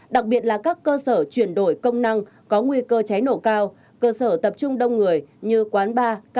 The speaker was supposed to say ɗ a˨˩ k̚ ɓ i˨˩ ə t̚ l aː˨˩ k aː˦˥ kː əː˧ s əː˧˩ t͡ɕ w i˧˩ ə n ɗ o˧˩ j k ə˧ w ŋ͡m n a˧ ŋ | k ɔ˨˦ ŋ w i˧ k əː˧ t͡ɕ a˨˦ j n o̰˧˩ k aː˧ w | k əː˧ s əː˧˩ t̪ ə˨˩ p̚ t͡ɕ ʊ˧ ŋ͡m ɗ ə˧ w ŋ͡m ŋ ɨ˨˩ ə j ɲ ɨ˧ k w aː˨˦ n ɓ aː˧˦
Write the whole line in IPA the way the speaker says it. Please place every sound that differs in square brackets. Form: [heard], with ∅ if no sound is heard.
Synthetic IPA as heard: ɗ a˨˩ k̚ ɓ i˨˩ ə t̚ l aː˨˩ k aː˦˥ kː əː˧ s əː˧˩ t͡ɕ w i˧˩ ə n ɗ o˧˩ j k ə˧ w ŋ͡m n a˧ ŋ | k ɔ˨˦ ŋ w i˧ k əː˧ t͡ɕ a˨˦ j n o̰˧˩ k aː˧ w | k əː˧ s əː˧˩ t̪ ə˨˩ p̚ t͡ɕ ʊ˧ ŋ͡m ɗ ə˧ w ŋ͡m ŋ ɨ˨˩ ə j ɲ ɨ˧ k w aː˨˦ n ɓ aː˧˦